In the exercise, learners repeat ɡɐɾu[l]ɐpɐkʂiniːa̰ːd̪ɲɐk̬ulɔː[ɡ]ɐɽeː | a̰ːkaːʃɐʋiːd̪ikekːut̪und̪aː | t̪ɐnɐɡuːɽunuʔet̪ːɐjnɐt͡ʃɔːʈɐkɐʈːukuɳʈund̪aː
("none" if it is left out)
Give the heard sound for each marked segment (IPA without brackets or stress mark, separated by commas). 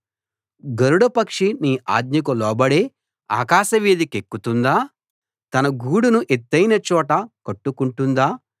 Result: ɽ, b